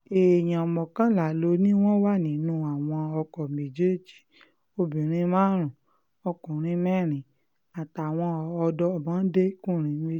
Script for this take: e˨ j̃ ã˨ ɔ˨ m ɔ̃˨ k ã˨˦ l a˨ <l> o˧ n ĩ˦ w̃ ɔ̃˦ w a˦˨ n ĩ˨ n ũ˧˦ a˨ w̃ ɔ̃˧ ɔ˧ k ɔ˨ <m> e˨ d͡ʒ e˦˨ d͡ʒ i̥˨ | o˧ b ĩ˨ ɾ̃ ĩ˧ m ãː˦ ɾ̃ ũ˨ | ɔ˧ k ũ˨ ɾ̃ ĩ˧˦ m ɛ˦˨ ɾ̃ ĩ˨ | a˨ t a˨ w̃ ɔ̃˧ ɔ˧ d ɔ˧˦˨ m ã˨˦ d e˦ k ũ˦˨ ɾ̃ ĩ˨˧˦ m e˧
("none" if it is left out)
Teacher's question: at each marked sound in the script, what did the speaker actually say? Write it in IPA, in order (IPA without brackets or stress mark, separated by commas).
l, m